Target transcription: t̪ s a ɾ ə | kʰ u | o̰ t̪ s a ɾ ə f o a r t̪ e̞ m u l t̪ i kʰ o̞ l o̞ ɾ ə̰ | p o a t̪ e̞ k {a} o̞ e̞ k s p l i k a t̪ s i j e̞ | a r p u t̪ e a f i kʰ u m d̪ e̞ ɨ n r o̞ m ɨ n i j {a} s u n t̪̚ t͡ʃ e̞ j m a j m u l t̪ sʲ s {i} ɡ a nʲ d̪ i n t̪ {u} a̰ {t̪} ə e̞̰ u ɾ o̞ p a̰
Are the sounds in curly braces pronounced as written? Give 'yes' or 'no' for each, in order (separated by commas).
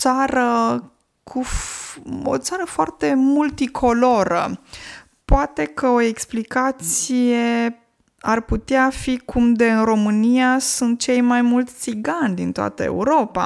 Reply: no, yes, yes, no, yes